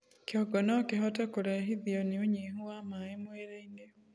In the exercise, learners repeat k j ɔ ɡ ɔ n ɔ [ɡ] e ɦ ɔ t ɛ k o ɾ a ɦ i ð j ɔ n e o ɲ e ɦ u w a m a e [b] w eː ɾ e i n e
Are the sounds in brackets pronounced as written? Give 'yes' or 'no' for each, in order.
no, no

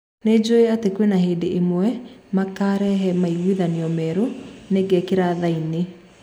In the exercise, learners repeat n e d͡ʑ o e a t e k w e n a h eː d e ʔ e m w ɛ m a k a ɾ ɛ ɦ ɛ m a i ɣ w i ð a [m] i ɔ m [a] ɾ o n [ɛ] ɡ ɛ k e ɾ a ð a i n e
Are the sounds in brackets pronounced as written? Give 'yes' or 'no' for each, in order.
no, no, no

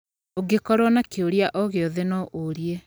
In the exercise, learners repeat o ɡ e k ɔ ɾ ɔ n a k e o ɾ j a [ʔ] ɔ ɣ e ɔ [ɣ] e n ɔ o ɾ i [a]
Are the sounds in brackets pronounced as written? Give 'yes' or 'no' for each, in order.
yes, no, no

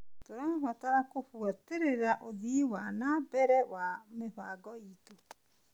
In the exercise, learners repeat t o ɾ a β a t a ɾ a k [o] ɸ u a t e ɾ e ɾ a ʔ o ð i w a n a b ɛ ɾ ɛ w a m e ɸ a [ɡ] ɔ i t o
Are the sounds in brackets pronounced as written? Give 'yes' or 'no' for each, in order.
yes, yes

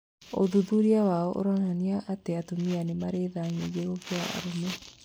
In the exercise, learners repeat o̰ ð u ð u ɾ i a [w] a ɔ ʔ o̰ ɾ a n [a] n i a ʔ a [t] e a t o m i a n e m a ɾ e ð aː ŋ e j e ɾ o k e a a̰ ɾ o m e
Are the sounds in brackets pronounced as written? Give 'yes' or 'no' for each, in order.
yes, yes, yes

